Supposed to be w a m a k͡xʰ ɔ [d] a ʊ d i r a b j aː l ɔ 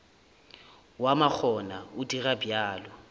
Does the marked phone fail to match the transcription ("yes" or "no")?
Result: yes